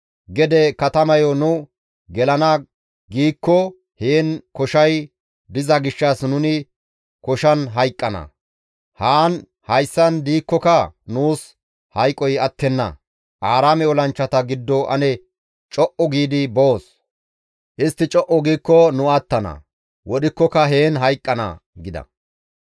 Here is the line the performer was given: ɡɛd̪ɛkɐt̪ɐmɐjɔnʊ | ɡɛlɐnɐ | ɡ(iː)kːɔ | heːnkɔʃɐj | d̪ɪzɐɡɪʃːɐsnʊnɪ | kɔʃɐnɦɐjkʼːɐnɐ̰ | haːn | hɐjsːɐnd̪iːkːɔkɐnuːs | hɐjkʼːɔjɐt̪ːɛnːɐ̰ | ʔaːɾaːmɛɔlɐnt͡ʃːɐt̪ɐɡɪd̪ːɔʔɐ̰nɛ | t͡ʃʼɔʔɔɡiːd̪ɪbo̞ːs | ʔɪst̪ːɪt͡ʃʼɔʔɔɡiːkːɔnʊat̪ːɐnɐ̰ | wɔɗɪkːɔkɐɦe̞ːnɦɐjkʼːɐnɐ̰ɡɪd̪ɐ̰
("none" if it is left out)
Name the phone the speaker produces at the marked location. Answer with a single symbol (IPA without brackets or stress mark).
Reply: iː